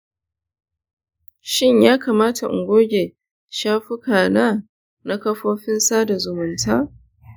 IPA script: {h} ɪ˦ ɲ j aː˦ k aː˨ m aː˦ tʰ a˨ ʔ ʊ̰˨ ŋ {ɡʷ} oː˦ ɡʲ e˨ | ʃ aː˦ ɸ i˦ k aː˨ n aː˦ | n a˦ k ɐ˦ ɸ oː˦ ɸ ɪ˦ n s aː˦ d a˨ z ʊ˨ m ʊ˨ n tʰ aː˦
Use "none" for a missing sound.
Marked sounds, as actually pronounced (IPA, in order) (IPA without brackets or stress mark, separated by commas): ʃ, ɡʷ